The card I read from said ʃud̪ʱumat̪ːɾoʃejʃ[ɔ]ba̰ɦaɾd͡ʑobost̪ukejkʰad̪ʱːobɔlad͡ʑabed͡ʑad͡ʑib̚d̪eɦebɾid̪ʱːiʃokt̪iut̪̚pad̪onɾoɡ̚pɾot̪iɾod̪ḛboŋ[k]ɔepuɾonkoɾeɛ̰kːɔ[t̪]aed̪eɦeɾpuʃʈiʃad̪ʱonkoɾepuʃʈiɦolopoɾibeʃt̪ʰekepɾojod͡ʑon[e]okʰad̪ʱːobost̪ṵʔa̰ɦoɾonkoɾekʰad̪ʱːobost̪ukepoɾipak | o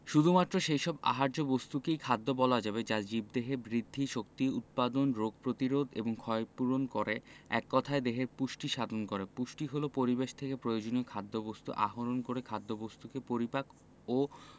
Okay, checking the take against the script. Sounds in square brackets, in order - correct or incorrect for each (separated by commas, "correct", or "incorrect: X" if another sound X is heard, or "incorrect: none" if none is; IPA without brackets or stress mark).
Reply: correct, incorrect: kʰ, incorrect: t̪ʰ, incorrect: i